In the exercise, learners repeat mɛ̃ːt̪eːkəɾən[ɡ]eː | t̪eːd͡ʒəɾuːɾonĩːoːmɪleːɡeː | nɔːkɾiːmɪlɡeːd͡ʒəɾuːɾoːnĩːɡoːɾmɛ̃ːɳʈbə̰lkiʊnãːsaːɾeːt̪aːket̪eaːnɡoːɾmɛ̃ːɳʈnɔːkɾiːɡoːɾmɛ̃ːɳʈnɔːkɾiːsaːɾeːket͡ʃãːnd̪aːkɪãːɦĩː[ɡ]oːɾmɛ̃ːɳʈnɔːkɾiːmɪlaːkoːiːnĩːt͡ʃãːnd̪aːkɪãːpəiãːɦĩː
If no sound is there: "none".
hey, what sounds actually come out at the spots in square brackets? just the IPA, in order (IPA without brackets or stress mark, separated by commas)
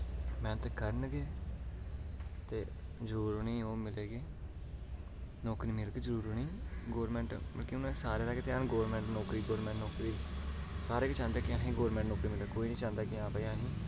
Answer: ɡ, ɡ